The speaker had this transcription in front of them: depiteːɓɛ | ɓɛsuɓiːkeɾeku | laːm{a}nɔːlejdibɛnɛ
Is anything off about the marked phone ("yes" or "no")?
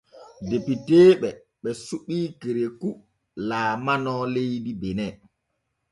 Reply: no